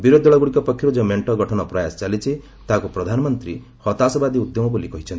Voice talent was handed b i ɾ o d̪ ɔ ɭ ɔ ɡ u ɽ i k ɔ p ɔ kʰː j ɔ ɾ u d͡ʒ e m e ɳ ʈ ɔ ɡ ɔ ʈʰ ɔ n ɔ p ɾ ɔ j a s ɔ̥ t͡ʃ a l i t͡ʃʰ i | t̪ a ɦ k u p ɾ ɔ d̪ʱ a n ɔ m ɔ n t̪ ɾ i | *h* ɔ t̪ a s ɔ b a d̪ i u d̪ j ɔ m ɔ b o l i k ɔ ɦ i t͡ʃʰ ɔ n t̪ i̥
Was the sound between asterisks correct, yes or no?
yes